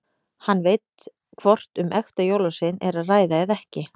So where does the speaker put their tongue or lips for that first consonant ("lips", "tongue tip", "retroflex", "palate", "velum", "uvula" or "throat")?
throat